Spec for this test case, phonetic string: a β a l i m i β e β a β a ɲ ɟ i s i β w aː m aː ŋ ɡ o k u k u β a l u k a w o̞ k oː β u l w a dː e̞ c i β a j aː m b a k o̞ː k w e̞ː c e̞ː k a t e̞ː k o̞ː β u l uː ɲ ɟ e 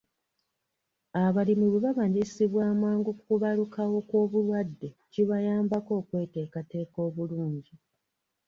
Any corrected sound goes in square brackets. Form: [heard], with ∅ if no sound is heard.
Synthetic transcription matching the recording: a β a l i m i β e β a β a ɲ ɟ i s i β w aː m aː ŋ ɡ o k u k u β a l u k a w o̞ k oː β u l w a dː e̞ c i β a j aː m b a k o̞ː k w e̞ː [t] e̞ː k a t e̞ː k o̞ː β u l uː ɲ ɟ [i]